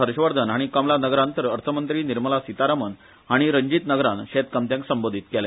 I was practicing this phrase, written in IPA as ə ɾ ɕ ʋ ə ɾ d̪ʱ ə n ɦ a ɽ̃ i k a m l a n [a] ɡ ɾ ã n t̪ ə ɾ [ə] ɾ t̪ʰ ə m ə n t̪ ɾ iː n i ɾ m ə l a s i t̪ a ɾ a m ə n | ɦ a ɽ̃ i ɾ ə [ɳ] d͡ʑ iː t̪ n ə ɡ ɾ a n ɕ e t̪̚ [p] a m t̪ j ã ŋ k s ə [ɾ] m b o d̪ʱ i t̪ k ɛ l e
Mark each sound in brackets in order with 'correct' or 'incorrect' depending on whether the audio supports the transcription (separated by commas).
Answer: incorrect, correct, incorrect, incorrect, incorrect